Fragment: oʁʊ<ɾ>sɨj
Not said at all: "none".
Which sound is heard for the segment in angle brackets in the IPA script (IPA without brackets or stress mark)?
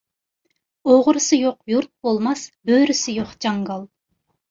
ɾ